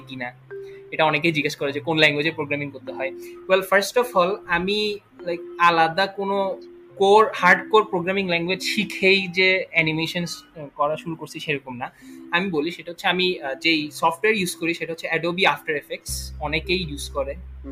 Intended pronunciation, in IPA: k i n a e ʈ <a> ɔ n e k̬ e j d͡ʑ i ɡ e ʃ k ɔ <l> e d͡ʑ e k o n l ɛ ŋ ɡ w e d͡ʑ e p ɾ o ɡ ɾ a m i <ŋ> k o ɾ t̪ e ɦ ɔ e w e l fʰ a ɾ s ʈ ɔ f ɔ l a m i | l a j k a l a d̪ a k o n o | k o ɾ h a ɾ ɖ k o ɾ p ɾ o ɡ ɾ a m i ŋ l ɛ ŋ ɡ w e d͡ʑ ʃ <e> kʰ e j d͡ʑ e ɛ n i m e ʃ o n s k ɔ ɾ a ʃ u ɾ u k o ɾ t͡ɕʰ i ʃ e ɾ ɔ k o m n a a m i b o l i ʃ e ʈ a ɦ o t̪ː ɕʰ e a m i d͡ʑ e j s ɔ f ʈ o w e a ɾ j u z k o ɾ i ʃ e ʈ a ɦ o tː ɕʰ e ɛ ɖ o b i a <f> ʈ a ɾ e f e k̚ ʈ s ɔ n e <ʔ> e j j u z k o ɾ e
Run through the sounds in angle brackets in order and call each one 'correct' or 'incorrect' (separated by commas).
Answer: correct, incorrect, correct, incorrect, correct, incorrect